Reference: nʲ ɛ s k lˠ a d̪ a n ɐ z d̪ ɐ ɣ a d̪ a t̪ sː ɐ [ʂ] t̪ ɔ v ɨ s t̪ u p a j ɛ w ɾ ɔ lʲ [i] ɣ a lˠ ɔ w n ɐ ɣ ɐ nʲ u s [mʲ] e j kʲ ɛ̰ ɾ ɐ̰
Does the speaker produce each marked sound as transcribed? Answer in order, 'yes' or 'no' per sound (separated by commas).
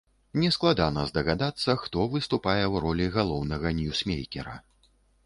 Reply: no, yes, yes